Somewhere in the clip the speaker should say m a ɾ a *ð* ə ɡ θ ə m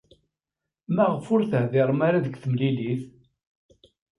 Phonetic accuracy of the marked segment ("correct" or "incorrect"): correct